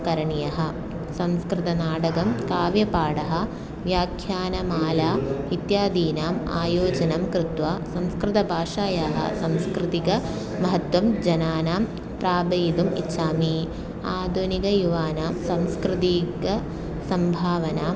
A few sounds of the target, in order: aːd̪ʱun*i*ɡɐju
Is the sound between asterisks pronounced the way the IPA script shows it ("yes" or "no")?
yes